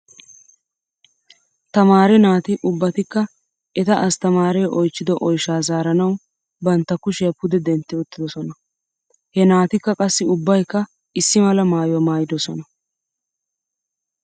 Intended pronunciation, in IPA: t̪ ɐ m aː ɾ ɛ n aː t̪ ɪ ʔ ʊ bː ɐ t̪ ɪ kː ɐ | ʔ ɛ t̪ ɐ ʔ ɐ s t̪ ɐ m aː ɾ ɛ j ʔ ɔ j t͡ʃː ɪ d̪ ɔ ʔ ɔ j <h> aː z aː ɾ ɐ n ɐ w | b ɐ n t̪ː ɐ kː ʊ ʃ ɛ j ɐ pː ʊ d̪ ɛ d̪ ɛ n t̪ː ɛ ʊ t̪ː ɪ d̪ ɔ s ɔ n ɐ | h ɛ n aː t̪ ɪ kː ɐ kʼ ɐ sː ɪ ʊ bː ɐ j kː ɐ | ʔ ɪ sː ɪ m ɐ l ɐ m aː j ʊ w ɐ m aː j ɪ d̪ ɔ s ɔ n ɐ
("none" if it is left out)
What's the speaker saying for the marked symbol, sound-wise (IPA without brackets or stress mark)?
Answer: ʃ